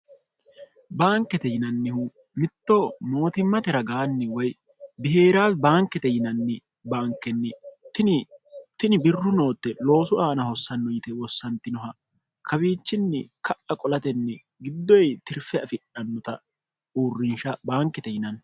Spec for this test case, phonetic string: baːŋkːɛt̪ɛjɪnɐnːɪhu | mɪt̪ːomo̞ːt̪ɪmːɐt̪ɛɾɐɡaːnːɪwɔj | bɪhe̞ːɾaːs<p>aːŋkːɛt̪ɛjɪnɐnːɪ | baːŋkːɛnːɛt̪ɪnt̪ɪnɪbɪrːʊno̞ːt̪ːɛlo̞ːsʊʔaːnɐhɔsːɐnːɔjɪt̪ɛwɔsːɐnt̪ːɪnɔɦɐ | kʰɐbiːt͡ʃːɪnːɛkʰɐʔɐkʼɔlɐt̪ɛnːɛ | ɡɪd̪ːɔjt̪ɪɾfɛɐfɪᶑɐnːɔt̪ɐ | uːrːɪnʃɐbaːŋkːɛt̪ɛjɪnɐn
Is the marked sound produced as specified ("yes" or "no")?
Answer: no